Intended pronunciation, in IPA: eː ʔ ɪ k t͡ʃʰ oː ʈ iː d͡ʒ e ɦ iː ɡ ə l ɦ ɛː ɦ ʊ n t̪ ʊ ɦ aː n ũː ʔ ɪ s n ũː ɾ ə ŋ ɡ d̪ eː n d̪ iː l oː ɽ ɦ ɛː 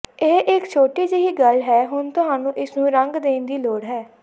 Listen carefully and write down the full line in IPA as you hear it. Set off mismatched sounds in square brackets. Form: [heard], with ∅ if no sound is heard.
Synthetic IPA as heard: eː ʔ ɪ k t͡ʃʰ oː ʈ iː d͡ʒ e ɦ iː ɡ ə l ɦ ɛː ɦ ʊ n t̪ ʊ ɦ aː n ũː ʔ ɪ s n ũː ɾ ə ŋ ɡ d̪ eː n d̪ iː l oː ɽ ɦ ɛː